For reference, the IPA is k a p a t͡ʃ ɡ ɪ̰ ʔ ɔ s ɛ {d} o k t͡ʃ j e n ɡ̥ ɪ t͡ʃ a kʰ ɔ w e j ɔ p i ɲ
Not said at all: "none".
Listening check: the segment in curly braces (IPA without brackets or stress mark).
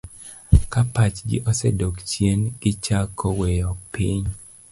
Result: d